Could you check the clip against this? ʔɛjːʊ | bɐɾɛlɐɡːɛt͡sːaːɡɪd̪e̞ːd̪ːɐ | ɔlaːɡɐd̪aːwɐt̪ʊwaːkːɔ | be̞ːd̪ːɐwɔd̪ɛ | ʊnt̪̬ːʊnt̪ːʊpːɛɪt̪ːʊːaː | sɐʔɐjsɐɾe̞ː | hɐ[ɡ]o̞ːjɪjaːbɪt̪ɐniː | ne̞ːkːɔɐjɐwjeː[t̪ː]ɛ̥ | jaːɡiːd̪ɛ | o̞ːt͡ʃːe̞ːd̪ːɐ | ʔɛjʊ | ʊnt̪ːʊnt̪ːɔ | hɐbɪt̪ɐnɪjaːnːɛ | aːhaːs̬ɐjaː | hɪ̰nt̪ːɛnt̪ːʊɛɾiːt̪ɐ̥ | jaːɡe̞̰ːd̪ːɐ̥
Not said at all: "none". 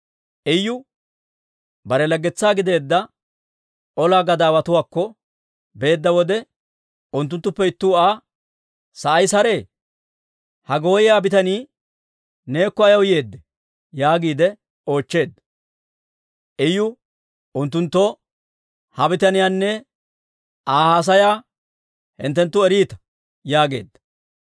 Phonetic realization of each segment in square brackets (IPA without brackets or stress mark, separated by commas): ɡ, d̪ː